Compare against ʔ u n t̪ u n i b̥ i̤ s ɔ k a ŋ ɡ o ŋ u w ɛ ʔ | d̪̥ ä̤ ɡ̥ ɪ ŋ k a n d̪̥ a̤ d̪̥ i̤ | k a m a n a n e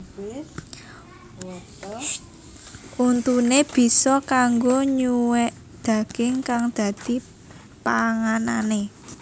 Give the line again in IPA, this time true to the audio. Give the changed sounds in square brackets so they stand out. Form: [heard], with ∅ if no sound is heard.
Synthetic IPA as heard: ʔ u n t̪ u n [e] b̥ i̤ s ɔ k a ŋ ɡ o [ɲ] u w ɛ ʔ | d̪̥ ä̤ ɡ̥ ɪ ŋ k a [ŋ] d̪̥ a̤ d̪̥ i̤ | [p] a [ŋ] a n a n e